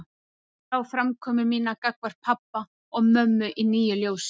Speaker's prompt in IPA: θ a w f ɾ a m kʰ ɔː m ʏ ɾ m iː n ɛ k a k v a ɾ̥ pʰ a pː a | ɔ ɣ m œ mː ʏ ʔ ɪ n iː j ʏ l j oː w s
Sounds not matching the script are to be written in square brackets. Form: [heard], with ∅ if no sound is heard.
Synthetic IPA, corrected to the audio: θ a w f ɾ a m kʰ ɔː m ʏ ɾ m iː n [a] k a k v a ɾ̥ pʰ a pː a | ɔ ɣ m œ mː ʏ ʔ [i] n iː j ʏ l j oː w s